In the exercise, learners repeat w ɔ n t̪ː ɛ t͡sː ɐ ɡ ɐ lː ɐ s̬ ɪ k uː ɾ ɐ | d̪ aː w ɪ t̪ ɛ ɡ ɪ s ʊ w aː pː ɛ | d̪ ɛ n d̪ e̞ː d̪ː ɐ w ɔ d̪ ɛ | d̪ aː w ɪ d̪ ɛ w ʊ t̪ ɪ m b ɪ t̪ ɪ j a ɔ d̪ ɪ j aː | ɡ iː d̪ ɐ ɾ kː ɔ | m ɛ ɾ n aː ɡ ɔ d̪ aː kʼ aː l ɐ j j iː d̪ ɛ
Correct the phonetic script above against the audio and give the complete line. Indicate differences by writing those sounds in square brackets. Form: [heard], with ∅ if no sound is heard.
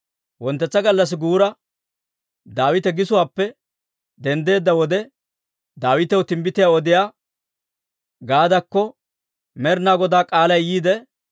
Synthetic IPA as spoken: w ɔ n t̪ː ɛ t͡sː ɐ ɡ ɐ lː ɐ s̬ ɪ [ɡ] uː ɾ ɐ | d̪ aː w ɪ t̪ ɛ ɡ ɪ s ʊ w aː pː ɛ | d̪ ɛ n d̪ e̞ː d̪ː ɐ w ɔ d̪ ɛ | d̪ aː w ɪ [t̪] ɛ w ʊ t̪ ɪ m b ɪ t̪ ɪ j a ɔ d̪ ɪ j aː | ɡ [aː] d̪ ɐ [∅] kː ɔ | m ɛ ɾ n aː ɡ ɔ d̪ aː kʼ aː l ɐ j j iː d̪ ɛ